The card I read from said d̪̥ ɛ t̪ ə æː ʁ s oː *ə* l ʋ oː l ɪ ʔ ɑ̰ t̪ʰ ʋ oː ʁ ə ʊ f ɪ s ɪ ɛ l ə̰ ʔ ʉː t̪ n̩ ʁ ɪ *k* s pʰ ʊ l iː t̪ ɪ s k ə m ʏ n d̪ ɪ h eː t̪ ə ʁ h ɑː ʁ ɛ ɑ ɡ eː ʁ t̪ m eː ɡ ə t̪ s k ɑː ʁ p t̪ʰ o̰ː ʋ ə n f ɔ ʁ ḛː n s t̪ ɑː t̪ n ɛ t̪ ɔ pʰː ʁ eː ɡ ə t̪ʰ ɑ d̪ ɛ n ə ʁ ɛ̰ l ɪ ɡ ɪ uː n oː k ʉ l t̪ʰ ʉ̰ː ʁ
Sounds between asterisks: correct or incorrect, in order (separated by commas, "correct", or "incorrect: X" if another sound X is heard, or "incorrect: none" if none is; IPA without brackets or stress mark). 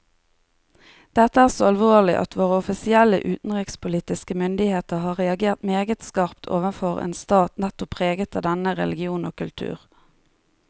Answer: incorrect: ɑ, correct